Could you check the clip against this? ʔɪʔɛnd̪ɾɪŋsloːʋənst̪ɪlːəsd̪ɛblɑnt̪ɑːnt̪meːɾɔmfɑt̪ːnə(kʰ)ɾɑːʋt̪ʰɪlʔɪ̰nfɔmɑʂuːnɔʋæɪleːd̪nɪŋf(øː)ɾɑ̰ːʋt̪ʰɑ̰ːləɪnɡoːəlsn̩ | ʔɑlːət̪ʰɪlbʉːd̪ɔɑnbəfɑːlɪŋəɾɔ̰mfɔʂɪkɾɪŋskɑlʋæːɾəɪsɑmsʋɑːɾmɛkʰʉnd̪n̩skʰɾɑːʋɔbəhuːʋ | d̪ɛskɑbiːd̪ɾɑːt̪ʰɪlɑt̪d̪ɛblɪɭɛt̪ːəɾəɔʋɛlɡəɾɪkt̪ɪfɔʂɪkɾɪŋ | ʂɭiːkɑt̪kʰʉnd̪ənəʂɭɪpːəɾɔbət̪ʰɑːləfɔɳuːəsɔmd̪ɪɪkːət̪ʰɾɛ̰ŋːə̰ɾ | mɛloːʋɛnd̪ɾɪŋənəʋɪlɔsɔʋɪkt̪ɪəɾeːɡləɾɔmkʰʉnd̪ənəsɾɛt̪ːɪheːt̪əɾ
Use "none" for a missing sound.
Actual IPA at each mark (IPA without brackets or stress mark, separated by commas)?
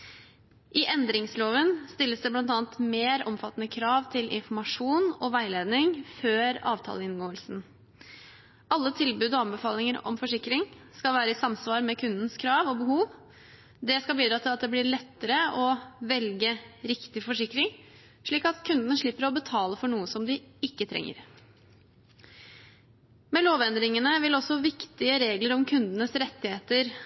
kʰ, øː